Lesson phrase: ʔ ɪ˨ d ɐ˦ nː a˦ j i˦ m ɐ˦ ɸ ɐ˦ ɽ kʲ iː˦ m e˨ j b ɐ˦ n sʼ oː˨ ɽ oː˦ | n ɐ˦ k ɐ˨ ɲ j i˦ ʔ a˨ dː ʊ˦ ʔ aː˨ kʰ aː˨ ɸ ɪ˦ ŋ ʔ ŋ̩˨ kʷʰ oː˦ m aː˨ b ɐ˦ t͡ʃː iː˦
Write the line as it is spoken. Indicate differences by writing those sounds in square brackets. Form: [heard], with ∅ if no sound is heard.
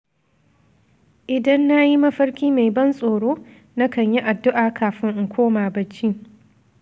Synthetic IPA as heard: ʔ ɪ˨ d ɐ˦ nː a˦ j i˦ m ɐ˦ ɸ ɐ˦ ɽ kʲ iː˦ m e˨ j b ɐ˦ n sʼ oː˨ ɽ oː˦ | n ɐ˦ k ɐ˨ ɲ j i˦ ʔ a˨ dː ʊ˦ ʔ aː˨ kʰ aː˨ ɸ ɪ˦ ŋ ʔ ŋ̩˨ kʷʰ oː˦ m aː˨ b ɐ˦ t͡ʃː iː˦